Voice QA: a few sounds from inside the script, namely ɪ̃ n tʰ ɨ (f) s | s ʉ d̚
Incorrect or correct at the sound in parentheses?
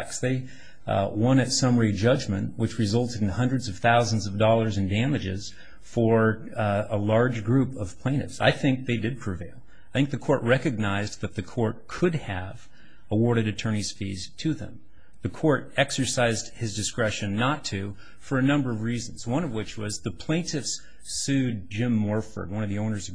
correct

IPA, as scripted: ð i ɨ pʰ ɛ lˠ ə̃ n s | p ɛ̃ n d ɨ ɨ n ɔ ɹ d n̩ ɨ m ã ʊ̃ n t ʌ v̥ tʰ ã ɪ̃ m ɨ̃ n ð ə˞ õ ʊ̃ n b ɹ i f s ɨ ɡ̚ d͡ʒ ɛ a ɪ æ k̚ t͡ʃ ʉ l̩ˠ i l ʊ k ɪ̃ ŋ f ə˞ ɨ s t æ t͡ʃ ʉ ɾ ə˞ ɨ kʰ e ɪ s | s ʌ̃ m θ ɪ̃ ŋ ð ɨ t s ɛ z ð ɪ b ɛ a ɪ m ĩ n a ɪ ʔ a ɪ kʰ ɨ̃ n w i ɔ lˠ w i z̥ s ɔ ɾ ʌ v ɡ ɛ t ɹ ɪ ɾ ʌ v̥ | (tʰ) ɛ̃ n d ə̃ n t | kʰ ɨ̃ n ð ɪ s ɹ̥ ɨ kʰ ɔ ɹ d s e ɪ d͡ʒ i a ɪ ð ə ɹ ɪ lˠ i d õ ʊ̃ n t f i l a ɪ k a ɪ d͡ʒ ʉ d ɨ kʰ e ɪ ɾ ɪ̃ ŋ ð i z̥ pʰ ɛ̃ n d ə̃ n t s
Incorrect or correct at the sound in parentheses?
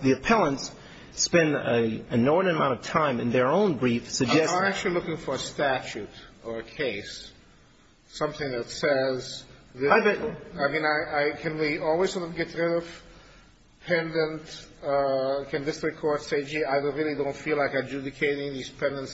incorrect: pʰ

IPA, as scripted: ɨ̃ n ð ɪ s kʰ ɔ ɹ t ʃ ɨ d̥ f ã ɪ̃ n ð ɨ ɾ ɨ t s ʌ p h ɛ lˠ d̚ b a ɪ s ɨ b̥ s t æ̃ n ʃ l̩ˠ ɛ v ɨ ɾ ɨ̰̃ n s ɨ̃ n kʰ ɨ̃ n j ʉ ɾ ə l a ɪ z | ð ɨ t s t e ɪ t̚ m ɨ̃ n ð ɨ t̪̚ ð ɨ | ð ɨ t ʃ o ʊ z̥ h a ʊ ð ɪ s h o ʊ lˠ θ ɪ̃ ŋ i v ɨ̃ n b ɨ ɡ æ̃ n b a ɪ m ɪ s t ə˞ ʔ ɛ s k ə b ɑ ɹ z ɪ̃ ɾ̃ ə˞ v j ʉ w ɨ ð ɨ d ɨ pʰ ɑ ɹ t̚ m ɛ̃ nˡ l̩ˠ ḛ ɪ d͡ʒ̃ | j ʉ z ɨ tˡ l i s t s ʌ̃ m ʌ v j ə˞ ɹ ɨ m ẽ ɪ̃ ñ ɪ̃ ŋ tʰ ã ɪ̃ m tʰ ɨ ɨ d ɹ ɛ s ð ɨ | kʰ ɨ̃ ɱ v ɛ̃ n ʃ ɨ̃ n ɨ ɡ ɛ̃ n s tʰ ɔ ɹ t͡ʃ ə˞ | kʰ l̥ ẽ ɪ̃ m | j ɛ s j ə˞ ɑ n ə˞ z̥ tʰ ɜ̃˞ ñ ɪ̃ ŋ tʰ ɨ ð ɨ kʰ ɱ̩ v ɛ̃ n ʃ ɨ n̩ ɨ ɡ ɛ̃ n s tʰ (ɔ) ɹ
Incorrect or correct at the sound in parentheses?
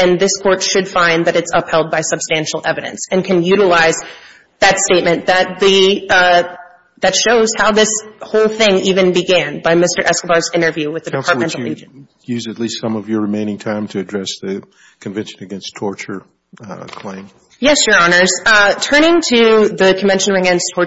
correct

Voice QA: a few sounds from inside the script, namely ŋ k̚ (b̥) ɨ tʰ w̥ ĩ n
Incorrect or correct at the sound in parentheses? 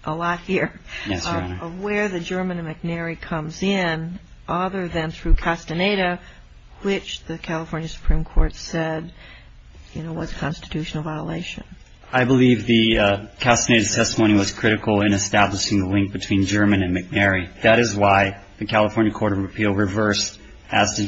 correct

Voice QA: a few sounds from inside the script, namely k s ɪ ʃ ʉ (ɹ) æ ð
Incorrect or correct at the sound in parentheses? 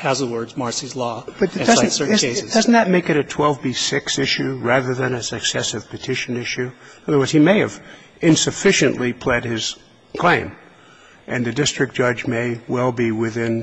correct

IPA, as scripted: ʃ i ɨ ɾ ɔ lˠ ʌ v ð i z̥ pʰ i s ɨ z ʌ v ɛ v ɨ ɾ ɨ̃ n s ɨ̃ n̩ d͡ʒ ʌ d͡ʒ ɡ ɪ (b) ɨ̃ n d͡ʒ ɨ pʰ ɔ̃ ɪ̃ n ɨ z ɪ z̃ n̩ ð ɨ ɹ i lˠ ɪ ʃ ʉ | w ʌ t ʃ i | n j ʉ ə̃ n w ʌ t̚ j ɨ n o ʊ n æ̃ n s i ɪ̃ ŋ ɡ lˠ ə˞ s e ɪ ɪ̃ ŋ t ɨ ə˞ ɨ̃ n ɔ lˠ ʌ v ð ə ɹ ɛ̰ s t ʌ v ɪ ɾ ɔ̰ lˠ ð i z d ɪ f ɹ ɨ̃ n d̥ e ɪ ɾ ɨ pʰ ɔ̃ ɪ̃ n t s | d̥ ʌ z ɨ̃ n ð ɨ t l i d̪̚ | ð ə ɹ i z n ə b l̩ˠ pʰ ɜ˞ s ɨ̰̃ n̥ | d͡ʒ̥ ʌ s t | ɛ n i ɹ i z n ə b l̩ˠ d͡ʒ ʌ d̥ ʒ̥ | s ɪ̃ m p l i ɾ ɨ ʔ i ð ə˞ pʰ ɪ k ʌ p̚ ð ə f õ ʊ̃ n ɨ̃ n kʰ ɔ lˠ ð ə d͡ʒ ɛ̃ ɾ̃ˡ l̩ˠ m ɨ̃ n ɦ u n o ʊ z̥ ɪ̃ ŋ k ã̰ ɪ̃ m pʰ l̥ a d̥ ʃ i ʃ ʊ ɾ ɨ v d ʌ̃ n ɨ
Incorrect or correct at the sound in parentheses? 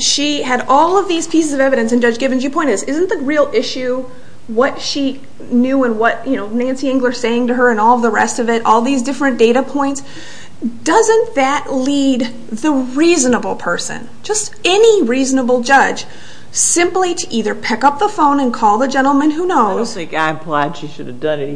incorrect: v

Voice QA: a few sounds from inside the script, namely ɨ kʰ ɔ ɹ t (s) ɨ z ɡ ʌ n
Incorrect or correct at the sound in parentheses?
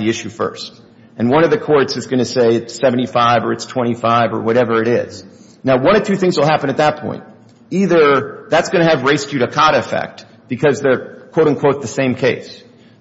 correct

